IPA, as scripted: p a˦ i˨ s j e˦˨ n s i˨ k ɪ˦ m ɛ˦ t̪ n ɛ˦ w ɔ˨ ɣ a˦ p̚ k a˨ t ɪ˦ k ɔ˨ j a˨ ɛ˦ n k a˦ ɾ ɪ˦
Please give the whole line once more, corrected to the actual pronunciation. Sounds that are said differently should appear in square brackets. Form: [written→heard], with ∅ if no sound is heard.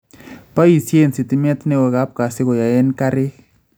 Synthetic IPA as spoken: p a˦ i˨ s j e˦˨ n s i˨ [k→t] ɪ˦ m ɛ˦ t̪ n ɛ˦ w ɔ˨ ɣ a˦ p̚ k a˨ [t→s] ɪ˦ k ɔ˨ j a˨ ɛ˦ n k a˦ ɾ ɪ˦